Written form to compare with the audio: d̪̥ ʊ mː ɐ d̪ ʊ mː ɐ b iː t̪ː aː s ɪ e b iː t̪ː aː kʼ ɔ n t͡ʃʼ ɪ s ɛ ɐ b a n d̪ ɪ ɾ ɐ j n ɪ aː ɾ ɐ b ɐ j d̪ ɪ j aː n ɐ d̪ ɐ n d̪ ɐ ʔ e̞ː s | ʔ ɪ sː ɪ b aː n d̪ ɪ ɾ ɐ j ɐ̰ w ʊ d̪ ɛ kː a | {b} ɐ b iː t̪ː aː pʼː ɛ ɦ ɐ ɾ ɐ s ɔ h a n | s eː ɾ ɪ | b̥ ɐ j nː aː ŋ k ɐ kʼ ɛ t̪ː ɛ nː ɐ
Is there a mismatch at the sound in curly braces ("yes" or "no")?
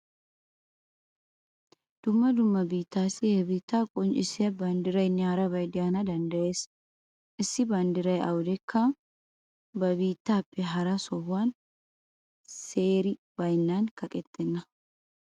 no